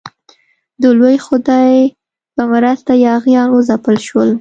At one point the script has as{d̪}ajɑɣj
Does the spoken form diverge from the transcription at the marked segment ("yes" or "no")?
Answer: yes